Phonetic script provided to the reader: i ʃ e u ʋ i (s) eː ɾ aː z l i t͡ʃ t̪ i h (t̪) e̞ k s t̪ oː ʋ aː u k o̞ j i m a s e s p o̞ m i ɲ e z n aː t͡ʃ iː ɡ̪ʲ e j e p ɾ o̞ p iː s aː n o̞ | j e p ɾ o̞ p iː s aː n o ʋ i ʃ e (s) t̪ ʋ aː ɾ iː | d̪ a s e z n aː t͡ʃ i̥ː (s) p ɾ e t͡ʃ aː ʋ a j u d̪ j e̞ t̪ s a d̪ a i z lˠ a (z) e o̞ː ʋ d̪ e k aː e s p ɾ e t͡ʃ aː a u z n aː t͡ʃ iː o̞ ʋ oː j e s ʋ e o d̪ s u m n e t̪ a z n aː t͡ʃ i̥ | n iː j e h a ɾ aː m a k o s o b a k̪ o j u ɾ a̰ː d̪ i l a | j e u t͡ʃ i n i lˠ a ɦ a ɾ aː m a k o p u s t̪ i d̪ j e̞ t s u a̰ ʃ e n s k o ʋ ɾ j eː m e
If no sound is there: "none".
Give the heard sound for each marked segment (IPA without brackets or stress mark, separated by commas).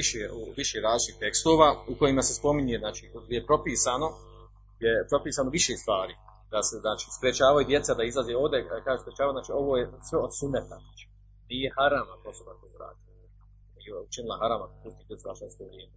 ʃ, t̪, s, s, z